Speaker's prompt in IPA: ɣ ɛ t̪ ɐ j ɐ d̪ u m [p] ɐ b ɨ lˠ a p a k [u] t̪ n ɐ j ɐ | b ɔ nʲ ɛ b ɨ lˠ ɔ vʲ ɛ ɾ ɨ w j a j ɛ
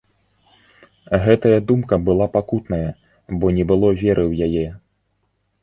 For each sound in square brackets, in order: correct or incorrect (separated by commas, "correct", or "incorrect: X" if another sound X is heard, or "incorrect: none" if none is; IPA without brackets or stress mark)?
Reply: incorrect: k, correct